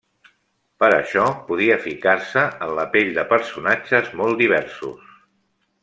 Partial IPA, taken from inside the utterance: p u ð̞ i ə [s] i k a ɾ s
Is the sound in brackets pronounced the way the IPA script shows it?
no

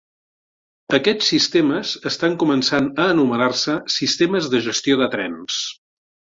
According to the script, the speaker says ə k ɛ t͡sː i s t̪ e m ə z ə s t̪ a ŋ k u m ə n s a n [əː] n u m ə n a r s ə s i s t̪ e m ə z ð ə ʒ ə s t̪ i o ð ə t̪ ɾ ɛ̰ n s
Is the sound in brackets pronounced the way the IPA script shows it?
yes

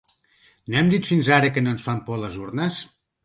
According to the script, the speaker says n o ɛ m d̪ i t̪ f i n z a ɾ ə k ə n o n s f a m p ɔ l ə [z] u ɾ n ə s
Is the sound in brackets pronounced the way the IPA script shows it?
yes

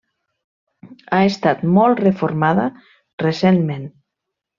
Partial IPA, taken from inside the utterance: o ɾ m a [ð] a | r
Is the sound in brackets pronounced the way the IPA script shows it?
yes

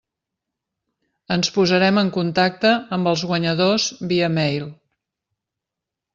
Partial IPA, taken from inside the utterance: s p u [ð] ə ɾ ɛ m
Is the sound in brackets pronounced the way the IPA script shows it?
no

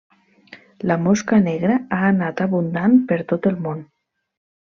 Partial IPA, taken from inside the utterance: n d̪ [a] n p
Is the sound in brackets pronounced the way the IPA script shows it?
yes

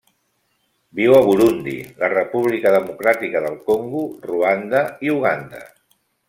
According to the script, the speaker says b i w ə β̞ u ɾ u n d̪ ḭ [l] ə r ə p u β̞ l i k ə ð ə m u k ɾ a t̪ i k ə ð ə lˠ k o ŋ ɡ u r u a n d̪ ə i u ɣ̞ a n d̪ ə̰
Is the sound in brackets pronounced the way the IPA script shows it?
yes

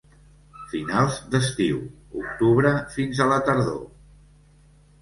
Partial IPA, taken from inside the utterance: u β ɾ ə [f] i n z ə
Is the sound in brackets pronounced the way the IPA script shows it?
yes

